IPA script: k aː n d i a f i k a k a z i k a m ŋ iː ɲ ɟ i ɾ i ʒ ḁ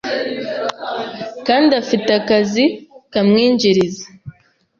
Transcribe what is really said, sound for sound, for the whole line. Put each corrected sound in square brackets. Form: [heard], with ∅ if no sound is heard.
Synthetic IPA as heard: k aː n d i a f i [t] a k a z i k a m ŋ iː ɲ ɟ i ɾ i [z] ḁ